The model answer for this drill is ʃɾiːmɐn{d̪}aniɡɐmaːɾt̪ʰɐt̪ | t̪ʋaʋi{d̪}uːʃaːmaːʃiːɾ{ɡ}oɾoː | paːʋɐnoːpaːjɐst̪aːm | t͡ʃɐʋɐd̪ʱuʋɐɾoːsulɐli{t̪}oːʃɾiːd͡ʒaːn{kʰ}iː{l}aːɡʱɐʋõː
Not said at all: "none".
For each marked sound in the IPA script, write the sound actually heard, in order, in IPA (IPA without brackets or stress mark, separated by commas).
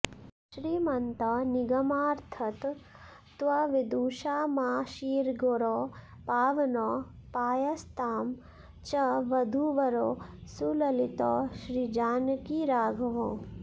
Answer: t̪, d̪, ɡ, t̪, k, ɾ